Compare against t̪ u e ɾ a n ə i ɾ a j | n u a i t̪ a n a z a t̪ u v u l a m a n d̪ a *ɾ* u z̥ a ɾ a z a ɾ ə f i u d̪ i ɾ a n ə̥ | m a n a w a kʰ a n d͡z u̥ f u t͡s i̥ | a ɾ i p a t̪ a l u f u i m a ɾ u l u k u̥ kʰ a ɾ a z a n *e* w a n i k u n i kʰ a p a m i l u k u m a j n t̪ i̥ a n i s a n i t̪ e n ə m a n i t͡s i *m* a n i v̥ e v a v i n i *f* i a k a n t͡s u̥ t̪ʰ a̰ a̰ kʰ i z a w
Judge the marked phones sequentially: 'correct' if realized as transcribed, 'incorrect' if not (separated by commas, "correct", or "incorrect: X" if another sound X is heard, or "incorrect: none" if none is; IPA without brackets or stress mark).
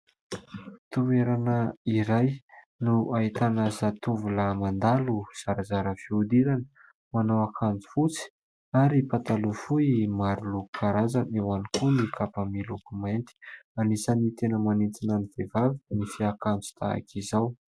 incorrect: l, correct, incorrect: n, correct